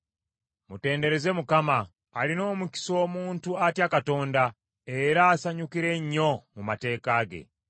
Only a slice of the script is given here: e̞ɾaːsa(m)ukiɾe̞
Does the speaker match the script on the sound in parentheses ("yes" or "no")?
no